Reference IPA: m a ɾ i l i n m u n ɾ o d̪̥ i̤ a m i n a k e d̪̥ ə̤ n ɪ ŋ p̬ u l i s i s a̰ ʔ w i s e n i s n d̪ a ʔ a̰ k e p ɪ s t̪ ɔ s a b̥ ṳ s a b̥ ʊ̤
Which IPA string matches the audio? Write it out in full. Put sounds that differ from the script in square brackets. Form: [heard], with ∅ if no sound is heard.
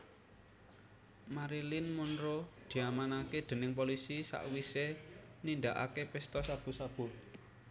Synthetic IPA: m a ɾ i l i n m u n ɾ o d̪̥ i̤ a m [a] n a k e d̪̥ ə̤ n ɪ ŋ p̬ [o] l i s i s a̰ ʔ w i s e n i [∅] n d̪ a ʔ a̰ k e p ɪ s t̪ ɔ s a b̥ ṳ s a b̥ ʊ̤